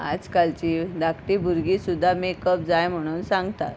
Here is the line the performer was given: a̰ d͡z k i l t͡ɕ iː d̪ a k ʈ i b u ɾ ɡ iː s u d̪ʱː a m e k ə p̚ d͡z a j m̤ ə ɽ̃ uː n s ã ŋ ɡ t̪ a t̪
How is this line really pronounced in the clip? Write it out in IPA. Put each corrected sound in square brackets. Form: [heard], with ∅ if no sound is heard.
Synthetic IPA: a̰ d͡z k [a] l t͡ɕ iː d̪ a k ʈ i b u ɾ ɡ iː s u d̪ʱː a m e k ə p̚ d͡z a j m̤ ə ɽ̃ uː n s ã ŋ ɡ t̪ a t̪